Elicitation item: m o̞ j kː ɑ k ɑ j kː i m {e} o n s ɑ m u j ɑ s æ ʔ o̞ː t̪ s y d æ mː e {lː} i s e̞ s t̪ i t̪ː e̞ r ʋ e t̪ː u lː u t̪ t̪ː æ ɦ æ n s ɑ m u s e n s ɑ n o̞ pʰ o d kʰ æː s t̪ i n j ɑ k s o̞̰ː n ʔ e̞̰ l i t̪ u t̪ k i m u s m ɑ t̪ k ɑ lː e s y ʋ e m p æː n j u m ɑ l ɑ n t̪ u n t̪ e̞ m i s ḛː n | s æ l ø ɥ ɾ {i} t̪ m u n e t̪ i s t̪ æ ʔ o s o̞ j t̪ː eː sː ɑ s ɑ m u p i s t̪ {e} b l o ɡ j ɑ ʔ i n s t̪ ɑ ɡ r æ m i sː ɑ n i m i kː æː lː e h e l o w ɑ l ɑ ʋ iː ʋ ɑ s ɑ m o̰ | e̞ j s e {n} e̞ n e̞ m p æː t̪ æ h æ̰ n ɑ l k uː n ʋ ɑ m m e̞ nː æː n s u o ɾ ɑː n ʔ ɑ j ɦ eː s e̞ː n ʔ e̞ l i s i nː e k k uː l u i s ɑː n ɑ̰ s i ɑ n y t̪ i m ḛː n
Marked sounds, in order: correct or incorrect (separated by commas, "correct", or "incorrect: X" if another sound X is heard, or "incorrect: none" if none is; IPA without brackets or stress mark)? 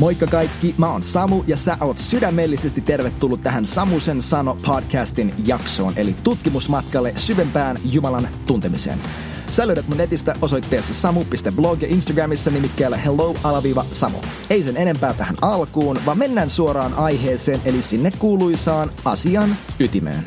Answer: incorrect: æ, correct, incorrect: æ, correct, correct